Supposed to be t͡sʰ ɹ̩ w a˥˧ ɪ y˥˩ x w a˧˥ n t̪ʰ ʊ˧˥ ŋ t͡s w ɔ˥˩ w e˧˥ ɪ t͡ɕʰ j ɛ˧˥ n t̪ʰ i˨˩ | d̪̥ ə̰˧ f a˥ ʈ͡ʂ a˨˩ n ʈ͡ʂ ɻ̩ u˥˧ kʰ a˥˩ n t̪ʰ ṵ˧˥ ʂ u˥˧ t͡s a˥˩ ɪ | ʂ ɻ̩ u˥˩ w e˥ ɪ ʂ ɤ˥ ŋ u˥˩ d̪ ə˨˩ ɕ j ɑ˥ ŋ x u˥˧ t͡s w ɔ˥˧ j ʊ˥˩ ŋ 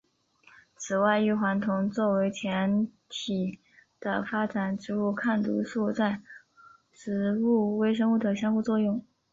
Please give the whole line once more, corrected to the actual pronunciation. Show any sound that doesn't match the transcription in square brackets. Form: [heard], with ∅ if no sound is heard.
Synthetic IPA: t͡sʰ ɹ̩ w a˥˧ ɪ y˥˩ x w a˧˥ n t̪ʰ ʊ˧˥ ŋ t͡s w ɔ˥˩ w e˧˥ ɪ t͡ɕʰ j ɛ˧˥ n t̪ʰ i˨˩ | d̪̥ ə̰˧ f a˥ ʈ͡ʂ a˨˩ n ʈ͡ʂ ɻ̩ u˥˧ kʰ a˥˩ n [t̪] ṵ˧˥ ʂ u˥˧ t͡s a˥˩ ɪ | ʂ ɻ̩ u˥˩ w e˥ ɪ ʂ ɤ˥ ŋ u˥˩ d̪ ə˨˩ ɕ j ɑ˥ ŋ x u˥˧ t͡s w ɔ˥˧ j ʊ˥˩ ŋ